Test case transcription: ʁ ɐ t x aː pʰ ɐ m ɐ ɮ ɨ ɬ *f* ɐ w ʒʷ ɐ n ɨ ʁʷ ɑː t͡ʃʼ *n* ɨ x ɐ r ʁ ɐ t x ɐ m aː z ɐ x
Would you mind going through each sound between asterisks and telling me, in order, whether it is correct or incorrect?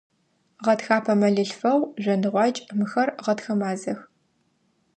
correct, incorrect

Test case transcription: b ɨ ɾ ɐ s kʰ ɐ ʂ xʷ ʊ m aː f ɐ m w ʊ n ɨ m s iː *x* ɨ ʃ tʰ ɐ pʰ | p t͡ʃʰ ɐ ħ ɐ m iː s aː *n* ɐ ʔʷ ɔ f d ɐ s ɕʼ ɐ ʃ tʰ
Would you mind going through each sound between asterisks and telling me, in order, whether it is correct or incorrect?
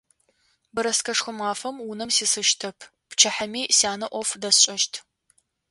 incorrect, correct

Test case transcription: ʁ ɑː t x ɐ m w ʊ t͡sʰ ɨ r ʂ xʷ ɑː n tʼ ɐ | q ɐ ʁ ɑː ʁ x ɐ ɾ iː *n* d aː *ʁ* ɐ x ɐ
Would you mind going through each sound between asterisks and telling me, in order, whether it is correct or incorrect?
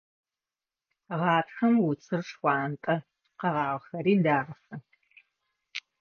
correct, correct

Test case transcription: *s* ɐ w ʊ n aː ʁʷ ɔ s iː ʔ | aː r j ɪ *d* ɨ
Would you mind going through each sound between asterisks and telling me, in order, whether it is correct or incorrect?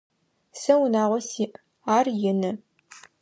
correct, incorrect

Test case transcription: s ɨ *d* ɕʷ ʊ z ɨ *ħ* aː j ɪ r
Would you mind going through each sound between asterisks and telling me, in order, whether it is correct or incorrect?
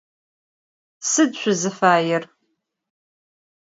correct, incorrect

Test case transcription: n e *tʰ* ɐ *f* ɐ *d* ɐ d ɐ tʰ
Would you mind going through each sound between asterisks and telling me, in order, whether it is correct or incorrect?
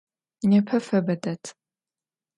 incorrect, correct, incorrect

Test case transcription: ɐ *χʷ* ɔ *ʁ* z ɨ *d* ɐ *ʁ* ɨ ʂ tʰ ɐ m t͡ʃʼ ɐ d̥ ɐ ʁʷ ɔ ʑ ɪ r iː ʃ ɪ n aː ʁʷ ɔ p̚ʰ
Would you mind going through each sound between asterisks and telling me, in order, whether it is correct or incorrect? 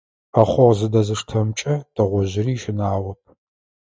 correct, correct, correct, incorrect

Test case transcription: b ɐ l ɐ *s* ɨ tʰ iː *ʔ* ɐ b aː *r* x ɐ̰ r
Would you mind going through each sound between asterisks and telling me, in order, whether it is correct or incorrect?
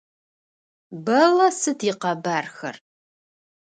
correct, incorrect, correct

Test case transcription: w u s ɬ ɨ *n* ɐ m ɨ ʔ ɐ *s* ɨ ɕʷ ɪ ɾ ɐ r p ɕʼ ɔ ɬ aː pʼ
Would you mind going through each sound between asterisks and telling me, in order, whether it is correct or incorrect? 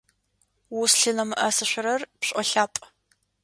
correct, correct

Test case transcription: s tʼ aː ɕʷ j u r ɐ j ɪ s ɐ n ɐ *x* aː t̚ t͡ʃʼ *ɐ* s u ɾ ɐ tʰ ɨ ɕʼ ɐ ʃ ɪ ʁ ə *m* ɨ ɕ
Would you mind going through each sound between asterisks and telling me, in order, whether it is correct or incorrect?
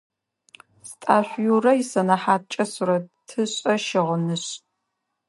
incorrect, correct, incorrect

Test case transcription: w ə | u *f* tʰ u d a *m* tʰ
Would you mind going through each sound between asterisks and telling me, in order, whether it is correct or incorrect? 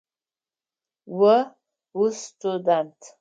incorrect, incorrect

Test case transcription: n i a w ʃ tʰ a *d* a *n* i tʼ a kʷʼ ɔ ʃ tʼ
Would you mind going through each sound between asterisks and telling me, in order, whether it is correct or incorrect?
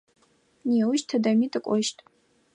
correct, incorrect

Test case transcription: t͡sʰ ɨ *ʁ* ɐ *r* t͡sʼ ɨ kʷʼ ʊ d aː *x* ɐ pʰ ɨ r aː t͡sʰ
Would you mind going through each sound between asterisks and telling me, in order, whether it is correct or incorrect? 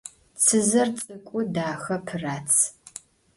incorrect, correct, correct

